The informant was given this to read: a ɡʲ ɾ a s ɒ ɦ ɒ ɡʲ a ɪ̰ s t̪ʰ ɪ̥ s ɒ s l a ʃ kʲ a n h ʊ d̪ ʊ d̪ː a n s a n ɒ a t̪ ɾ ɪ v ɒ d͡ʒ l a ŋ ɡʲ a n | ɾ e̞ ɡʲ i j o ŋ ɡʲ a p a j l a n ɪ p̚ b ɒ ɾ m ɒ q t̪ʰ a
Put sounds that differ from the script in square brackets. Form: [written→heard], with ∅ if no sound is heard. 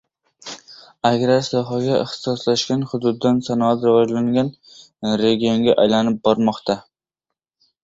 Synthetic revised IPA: a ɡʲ ɾ a s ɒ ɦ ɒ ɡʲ a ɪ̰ [s→χ] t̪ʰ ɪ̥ s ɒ s l a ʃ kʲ a n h ʊ d̪ ʊ d̪ː a n s a n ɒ a t̪ ɾ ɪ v ɒ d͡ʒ l a ŋ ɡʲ a n | ɾ e̞ ɡʲ i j o ŋ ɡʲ a [p→ʔ] a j l a n ɪ p̚ b ɒ ɾ m ɒ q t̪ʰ a